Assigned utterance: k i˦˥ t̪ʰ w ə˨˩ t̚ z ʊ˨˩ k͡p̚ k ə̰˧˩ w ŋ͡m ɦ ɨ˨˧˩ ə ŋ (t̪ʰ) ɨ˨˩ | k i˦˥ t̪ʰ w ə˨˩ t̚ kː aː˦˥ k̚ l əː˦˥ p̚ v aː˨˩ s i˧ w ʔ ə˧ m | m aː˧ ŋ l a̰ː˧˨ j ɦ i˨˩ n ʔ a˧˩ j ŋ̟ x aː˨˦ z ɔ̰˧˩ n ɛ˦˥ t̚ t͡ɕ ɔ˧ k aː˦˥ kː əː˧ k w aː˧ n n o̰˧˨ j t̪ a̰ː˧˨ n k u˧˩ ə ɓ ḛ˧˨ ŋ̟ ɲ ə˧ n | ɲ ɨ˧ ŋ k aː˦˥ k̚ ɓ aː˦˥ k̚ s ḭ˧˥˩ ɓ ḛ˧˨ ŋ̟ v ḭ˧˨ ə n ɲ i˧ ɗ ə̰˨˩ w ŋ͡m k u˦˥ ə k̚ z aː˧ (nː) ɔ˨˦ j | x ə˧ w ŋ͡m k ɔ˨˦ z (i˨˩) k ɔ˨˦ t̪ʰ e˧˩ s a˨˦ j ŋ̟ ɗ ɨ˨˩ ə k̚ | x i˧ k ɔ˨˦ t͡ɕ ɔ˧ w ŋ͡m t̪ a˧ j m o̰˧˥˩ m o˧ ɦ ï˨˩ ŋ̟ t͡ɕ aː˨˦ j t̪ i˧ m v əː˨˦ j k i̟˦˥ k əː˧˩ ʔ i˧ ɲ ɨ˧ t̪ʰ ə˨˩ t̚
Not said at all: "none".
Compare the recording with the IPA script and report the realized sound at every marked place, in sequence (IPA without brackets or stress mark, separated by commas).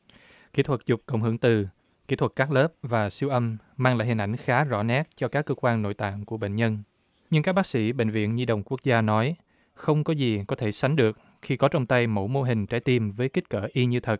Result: t̪, n, i˨˩